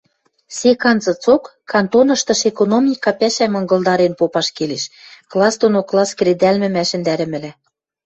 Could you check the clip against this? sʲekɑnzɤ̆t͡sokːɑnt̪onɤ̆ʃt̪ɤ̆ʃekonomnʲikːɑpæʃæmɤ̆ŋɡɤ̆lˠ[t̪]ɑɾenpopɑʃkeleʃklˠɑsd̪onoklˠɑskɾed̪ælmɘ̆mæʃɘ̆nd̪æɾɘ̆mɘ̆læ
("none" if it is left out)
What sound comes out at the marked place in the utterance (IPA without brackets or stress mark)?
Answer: d̪